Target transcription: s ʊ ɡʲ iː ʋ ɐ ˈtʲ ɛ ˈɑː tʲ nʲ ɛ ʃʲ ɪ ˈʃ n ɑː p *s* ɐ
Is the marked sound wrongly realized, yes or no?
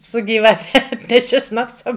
no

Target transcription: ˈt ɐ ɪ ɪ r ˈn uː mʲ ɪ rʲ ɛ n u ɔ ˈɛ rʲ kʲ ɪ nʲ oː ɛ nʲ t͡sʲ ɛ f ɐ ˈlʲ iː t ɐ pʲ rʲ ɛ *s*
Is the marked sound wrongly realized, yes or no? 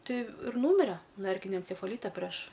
yes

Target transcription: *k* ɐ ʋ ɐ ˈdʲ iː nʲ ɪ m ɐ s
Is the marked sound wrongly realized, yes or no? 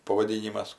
yes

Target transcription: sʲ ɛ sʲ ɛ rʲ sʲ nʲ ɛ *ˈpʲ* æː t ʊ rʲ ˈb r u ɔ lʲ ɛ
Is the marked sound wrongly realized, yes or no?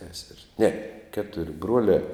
yes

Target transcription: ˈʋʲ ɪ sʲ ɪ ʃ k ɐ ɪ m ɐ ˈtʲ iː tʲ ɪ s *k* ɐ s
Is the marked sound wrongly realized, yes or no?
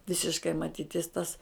yes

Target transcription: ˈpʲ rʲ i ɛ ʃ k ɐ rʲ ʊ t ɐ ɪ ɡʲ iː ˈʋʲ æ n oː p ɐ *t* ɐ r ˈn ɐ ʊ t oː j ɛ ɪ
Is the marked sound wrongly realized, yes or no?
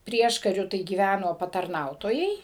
no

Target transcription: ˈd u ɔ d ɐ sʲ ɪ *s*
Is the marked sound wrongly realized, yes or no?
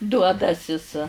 no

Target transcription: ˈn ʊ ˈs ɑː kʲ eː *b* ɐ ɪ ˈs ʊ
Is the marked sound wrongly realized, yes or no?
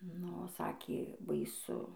no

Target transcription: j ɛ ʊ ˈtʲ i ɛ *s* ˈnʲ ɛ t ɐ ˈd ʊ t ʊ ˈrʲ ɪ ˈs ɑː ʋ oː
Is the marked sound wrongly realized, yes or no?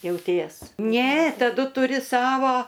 no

